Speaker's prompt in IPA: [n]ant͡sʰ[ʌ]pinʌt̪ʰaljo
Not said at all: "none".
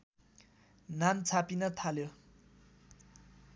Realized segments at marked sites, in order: n, a

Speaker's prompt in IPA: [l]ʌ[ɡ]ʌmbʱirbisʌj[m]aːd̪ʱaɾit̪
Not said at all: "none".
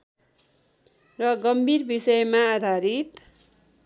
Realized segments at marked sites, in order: r, ɡ, m

